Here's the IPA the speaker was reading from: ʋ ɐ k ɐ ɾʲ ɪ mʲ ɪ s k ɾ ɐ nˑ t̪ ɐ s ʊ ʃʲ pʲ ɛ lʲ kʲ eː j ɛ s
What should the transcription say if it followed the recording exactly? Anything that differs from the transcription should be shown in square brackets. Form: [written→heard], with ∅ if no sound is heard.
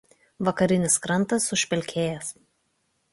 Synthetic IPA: ʋ ɐ k ɐ ɾʲ ɪ [mʲ→nʲ] ɪ s k ɾ ɐ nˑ t̪ ɐ s ʊ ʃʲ pʲ ɛ lʲ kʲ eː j ɛ s

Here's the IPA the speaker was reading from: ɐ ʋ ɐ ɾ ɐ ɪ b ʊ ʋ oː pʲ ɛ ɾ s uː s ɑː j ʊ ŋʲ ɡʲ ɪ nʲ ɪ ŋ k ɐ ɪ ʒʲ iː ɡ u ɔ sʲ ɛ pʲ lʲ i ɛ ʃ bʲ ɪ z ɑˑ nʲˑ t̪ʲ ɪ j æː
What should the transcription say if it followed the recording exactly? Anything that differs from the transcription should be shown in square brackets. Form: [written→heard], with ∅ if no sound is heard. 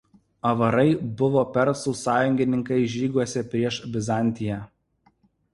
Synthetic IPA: ɐ ʋ ɐ ɾ ɐ ɪ b ʊ ʋ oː pʲ ɛ ɾ s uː s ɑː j ʊ ŋʲ ɡʲ ɪ nʲ ɪ ŋ k ɐ ɪ ʒʲ iː ɡ u ɔ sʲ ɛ pʲ [lʲ→ɾʲ] i ɛ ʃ bʲ ɪ z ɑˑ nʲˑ t̪ʲ ɪ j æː

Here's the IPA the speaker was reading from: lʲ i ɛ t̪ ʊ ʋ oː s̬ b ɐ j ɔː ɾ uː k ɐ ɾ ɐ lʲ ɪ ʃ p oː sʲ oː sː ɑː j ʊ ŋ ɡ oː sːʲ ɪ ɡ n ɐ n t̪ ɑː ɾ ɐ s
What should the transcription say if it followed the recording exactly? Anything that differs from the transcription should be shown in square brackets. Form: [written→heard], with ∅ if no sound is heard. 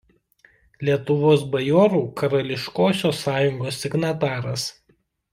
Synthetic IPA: lʲ i ɛ t̪ ʊ ʋ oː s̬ b ɐ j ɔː ɾ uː k ɐ ɾ ɐ lʲ ɪ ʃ [p→k] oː sʲ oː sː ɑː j ʊ ŋ ɡ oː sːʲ ɪ ɡ n ɐ [n→∅] t̪ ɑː ɾ ɐ s

